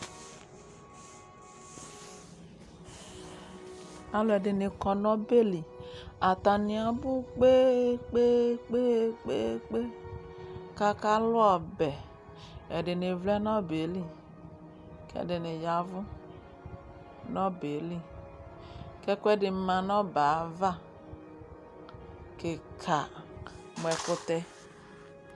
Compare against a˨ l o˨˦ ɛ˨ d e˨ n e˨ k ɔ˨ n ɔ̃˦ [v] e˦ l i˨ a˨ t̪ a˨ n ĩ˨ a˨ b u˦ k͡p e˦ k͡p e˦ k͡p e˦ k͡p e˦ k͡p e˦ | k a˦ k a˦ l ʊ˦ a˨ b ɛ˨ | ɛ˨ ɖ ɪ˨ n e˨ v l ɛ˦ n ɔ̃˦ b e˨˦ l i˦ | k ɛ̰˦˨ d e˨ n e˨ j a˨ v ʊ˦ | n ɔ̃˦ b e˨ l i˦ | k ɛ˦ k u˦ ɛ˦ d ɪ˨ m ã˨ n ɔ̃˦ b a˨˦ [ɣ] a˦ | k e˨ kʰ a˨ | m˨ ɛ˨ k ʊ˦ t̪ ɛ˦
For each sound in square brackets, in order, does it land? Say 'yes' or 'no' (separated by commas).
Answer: no, no